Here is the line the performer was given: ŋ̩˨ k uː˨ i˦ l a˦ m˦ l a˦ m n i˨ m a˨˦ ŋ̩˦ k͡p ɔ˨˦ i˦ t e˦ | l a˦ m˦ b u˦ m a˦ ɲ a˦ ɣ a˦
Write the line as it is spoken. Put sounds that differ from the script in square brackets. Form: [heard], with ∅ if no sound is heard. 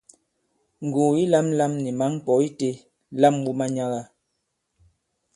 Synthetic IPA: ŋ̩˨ [ɡ] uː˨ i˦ l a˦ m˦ l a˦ m n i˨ m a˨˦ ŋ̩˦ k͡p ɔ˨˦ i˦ t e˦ | l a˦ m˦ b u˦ m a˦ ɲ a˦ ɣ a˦